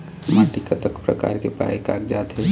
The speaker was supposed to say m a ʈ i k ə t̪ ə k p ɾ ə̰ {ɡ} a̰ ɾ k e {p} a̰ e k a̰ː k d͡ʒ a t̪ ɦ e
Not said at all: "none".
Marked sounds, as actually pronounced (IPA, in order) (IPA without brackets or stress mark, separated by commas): k, p